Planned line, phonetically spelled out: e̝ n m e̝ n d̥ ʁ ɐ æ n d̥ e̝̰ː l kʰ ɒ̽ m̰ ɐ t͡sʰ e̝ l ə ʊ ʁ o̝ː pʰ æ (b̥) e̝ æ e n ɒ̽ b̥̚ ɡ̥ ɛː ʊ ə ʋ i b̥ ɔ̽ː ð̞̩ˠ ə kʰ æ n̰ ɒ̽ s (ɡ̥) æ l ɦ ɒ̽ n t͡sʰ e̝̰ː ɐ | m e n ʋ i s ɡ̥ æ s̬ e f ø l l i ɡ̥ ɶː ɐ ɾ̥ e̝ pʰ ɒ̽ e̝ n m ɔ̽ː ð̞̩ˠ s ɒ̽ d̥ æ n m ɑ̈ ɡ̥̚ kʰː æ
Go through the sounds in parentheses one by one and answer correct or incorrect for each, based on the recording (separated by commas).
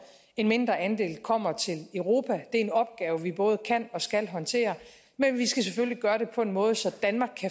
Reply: incorrect, correct